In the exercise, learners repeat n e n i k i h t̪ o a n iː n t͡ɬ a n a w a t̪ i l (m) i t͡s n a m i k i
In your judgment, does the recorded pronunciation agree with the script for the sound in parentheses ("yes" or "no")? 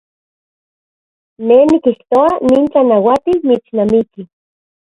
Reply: yes